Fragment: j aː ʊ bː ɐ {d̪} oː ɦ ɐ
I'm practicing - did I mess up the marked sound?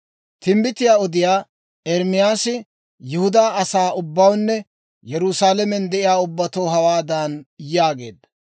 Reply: yes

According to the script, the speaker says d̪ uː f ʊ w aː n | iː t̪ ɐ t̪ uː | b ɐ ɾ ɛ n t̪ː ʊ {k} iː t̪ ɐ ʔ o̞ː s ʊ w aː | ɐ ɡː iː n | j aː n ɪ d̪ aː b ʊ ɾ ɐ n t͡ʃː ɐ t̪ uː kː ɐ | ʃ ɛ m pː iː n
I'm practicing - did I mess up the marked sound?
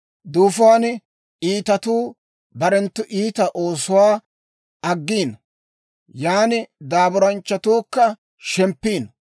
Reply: yes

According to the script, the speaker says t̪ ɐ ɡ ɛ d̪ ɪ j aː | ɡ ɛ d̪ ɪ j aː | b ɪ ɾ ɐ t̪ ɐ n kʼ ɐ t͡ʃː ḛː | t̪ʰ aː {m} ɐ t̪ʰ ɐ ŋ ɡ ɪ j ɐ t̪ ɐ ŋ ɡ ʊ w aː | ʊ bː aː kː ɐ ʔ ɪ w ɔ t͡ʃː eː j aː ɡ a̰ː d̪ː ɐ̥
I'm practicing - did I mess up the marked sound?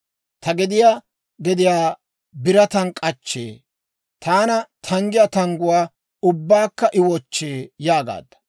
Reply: yes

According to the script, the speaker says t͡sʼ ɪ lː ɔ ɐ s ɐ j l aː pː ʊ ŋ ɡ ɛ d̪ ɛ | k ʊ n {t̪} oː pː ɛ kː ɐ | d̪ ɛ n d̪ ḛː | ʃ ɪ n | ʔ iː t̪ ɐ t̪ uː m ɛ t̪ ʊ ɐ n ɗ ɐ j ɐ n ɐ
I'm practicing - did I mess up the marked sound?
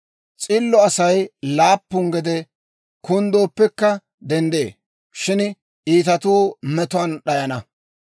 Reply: yes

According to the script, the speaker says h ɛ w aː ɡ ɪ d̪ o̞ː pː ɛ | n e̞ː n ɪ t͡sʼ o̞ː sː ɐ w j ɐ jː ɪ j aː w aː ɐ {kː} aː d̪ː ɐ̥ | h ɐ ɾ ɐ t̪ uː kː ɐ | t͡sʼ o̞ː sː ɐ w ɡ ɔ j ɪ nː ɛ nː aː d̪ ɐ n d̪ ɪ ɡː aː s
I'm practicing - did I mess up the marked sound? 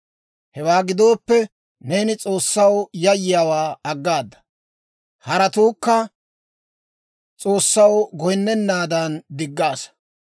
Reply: yes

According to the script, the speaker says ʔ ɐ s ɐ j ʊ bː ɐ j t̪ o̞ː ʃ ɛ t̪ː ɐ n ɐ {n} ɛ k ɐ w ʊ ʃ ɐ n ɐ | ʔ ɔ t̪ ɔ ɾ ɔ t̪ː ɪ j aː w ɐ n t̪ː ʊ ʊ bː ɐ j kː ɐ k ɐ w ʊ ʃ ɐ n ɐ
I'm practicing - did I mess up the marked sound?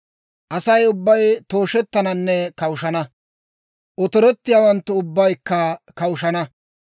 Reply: yes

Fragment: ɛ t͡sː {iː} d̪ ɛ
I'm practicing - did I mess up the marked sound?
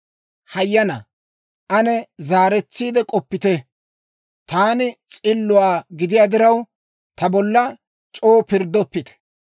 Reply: no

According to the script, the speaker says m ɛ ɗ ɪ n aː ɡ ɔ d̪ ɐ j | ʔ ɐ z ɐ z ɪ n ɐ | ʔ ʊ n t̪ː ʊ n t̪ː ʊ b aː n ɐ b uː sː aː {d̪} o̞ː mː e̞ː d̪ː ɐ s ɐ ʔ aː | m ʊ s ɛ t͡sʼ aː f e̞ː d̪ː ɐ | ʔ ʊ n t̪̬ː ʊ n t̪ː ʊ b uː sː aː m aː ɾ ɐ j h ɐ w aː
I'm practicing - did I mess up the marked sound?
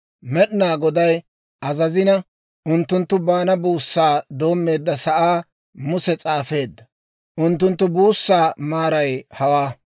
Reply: no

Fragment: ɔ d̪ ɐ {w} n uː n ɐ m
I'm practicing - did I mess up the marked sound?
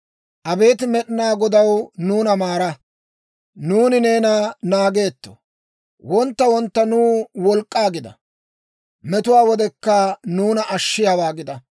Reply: no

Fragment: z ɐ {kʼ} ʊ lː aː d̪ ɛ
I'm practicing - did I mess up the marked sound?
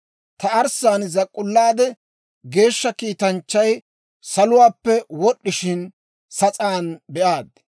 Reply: no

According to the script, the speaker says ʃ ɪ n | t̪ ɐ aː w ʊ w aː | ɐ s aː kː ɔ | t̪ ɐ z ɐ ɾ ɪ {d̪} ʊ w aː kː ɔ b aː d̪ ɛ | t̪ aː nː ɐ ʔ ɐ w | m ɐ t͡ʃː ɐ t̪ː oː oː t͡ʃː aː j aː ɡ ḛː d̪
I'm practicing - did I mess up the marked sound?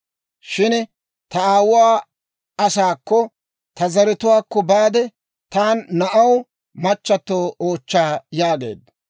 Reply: yes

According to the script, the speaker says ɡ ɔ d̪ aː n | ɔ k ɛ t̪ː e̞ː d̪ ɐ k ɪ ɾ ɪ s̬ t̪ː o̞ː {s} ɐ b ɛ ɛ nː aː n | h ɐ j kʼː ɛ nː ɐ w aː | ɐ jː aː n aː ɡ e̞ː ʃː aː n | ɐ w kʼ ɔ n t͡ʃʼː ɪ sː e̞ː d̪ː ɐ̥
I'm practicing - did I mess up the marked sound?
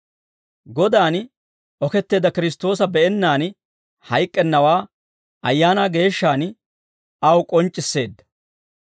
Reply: no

